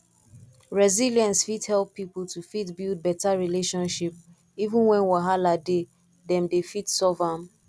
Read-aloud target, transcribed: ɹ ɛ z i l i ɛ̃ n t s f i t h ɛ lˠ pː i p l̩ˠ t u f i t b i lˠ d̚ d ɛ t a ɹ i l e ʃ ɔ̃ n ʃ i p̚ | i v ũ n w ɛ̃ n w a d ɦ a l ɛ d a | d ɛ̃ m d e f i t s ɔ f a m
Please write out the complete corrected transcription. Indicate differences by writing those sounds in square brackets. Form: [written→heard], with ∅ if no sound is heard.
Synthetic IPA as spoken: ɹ ɛ z i l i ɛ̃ n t s f i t h ɛ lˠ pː i p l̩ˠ t u f i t b i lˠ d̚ [d→b] ɛ t a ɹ i l e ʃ ɔ̃ n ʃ i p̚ | i v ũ n w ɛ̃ n w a [d→∅] ɦ a l [ɛ→a] d [a→e] | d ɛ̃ m d e f i t s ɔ [f→v] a m